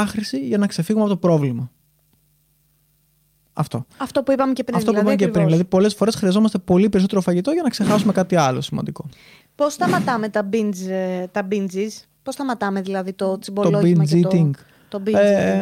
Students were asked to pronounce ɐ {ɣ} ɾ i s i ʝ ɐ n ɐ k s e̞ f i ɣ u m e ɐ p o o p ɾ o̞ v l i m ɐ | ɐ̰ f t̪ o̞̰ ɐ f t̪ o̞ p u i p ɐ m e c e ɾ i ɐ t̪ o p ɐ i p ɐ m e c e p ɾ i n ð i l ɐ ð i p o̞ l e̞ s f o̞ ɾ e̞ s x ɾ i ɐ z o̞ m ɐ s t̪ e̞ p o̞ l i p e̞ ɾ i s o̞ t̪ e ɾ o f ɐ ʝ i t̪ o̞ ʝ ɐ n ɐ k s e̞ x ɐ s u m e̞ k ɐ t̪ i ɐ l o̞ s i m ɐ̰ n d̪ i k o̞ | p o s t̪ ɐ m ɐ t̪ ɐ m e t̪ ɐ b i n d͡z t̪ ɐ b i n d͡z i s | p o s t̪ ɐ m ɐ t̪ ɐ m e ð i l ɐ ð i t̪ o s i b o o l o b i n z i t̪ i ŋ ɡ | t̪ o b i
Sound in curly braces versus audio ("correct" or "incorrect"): incorrect